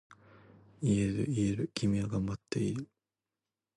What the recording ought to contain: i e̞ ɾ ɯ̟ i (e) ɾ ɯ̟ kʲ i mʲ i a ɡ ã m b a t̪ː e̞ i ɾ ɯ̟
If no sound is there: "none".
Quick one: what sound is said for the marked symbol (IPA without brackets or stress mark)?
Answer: e